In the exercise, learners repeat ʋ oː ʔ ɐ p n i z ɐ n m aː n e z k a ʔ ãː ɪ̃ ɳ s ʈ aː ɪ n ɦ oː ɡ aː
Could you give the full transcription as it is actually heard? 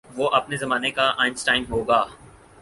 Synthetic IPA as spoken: ʋ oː ʔ ɐ p n e z ɐ m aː n e k a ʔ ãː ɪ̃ n s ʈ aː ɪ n ɦ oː ɡ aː